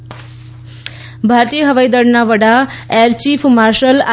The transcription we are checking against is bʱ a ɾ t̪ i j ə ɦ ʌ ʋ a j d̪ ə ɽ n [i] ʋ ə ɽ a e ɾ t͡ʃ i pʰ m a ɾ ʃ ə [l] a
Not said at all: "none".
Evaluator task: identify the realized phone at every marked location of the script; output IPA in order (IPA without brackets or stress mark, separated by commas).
a, l